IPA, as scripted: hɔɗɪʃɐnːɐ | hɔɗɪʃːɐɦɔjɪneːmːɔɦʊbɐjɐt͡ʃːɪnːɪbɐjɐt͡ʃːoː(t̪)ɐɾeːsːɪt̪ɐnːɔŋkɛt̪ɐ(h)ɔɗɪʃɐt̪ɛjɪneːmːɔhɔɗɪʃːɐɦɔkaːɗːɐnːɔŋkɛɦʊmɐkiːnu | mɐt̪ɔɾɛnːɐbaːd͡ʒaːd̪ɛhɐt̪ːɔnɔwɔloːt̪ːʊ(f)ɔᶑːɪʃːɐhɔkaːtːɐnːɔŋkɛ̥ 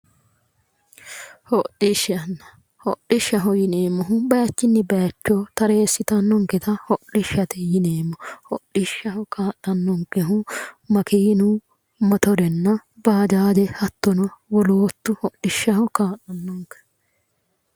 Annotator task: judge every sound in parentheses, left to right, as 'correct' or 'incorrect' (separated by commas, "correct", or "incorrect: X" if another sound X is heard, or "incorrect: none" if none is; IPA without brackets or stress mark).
correct, correct, incorrect: h